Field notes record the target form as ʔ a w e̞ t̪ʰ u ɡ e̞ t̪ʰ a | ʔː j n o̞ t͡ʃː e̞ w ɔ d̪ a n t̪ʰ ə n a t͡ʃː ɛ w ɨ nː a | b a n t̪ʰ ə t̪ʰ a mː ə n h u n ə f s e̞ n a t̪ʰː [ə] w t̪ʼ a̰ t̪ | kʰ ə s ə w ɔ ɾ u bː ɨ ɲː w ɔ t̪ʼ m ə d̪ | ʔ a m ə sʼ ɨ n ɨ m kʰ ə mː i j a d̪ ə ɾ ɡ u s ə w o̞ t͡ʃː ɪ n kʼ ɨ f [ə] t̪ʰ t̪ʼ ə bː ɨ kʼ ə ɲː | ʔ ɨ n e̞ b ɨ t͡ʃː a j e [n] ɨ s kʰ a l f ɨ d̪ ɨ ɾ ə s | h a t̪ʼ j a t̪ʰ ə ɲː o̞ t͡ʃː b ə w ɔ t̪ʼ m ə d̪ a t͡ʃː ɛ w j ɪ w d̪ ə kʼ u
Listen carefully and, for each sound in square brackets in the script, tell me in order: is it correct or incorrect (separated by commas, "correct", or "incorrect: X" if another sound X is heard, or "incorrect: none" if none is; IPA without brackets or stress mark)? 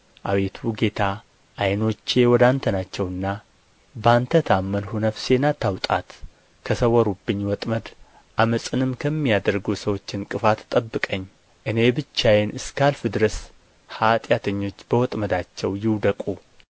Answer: incorrect: a, incorrect: a, correct